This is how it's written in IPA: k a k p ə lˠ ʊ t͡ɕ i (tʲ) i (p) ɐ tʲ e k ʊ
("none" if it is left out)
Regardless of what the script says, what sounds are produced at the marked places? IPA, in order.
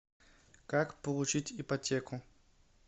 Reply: tʲ, p

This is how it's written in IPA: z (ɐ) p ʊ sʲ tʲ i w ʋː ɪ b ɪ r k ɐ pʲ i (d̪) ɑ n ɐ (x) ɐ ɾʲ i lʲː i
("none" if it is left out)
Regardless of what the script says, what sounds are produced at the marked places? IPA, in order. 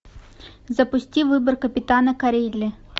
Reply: ɐ, t̪, k

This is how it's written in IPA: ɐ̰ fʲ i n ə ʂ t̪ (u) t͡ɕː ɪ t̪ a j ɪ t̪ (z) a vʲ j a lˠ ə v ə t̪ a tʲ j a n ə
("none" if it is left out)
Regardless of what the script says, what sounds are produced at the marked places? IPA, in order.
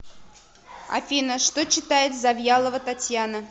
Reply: o, z

